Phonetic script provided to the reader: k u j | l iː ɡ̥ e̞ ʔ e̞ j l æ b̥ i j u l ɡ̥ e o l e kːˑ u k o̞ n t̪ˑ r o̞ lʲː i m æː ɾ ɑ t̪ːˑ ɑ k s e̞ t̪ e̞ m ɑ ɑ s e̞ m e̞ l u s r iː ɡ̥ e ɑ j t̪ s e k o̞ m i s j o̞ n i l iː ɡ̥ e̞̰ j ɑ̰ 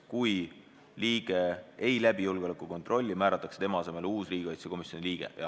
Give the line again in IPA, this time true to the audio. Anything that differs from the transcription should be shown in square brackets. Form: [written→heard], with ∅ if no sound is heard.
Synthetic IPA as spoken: k u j | l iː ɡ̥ e̞ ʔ e̞ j l æ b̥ i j u l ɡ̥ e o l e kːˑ u k o̞ n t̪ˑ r o̞ lʲː i m æː ɾ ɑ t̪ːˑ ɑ k s e̞ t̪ e̞ m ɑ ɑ s e̞ m e̞ l [u→uː] s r iː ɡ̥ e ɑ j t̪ s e k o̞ m i s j o̞ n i l iː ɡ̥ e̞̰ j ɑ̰